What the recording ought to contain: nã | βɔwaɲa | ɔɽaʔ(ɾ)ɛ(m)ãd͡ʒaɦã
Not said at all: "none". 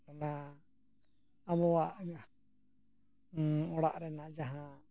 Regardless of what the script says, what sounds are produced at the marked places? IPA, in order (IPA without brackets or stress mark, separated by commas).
ɾ, n